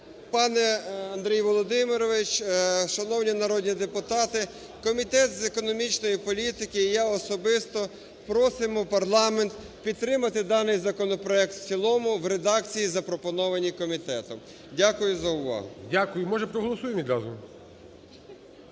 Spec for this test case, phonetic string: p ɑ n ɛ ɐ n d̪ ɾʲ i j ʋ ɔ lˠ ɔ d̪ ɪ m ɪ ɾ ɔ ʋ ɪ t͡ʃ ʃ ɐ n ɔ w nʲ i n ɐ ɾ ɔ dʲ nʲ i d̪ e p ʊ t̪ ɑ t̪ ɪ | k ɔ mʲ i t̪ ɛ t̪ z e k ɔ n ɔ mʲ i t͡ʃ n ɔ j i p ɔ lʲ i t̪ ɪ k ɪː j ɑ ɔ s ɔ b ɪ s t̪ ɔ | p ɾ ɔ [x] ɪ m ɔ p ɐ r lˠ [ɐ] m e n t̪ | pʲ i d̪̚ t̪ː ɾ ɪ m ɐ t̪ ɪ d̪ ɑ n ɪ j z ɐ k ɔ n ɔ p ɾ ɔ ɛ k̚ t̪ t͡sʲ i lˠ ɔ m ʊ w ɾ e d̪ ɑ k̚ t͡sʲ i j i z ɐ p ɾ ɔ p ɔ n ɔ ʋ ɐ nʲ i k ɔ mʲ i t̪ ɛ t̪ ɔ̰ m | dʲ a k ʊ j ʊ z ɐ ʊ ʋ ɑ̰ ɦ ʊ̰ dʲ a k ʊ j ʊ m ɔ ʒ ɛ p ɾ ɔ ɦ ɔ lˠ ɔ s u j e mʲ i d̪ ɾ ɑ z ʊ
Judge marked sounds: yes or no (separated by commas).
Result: no, no